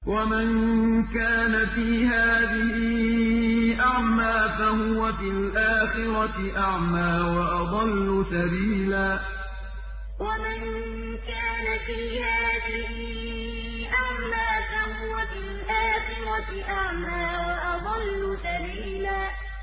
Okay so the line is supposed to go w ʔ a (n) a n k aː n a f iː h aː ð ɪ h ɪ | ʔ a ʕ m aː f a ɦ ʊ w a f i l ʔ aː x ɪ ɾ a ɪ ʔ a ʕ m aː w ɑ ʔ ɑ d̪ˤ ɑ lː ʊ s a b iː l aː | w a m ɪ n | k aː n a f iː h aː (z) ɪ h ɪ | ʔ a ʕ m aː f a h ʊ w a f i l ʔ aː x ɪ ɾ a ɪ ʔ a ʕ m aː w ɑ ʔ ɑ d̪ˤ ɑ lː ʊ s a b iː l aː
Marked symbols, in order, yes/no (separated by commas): no, no